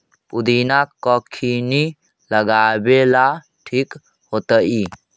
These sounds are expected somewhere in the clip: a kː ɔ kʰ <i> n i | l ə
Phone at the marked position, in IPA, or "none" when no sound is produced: i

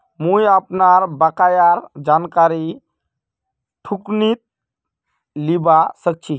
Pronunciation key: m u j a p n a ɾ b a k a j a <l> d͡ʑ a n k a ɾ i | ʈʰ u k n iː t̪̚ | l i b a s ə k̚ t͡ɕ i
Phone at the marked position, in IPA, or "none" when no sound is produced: ɾ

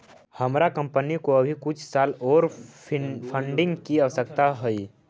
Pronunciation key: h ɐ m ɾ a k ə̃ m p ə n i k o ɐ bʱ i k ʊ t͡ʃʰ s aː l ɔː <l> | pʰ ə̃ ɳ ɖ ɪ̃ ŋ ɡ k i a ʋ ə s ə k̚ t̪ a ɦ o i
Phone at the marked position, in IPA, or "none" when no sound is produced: ɾ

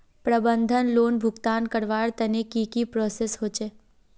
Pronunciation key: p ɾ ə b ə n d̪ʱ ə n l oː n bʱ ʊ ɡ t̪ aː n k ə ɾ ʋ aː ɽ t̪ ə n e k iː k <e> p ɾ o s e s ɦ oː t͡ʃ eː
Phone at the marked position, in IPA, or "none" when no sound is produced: i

